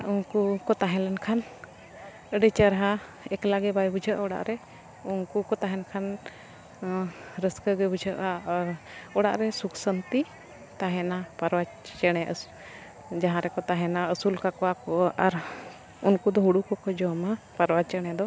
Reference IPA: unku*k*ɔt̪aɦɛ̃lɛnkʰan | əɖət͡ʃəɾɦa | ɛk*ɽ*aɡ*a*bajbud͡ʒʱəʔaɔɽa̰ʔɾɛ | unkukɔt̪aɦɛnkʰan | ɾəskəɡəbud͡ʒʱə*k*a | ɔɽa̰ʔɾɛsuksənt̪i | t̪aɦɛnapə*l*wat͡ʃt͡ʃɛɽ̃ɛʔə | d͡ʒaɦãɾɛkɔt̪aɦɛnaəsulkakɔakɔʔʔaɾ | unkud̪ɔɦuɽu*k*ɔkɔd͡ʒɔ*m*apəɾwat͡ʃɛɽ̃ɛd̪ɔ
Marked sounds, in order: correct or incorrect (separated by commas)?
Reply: correct, incorrect, incorrect, incorrect, incorrect, correct, correct